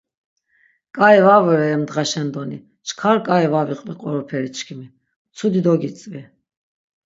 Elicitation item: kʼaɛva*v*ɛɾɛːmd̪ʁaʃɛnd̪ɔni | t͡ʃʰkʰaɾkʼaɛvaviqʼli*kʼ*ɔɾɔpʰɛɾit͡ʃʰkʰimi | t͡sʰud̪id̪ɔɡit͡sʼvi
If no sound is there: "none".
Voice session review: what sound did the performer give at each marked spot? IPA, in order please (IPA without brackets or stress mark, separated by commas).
v, qʼ